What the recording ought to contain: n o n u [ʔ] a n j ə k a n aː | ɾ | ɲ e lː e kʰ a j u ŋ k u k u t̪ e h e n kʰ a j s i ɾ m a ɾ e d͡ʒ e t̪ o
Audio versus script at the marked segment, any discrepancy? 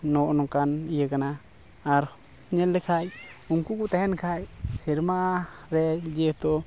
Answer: yes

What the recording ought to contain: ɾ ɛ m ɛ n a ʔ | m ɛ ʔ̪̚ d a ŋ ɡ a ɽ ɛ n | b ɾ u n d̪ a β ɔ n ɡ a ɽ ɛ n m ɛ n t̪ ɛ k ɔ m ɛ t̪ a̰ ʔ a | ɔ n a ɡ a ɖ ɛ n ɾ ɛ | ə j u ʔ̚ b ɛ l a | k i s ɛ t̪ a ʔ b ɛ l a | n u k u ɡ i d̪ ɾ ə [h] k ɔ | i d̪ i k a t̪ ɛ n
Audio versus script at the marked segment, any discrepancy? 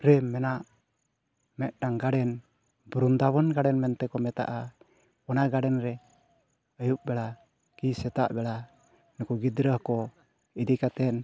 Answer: no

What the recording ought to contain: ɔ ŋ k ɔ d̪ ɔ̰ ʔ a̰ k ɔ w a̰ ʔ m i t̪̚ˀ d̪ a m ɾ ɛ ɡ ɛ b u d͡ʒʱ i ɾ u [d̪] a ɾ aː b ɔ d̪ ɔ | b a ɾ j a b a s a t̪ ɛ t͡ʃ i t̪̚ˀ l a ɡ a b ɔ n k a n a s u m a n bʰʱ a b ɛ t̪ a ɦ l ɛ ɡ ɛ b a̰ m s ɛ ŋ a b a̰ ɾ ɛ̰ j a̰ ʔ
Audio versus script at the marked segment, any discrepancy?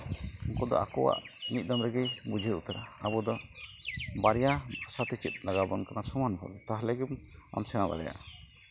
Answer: yes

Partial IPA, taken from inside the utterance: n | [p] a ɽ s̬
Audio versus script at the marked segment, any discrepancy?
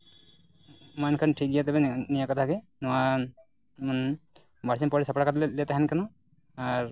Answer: yes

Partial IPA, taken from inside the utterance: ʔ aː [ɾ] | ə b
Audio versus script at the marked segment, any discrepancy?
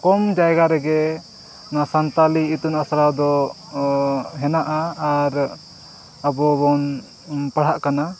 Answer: no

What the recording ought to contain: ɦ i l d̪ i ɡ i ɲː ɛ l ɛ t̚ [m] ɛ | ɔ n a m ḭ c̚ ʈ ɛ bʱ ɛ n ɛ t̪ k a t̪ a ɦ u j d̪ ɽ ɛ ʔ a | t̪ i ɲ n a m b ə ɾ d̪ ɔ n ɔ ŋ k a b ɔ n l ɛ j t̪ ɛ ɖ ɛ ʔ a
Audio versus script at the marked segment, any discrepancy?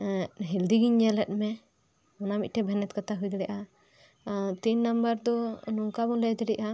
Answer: no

